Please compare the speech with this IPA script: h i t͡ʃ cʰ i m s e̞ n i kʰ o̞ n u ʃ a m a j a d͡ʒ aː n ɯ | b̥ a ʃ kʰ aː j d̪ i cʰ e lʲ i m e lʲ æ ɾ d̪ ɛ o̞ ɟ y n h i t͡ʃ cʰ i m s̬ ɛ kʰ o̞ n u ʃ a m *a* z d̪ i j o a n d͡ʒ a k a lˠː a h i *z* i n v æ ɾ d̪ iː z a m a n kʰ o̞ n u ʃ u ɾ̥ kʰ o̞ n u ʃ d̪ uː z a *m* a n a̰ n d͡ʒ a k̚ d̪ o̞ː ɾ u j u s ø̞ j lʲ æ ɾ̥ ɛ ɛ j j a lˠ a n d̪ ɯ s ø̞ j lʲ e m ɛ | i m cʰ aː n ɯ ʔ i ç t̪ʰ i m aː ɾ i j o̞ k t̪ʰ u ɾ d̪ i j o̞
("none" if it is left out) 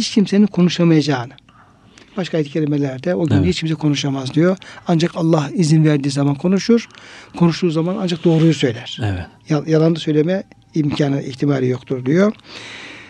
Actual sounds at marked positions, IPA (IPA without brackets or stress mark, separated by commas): a, z, m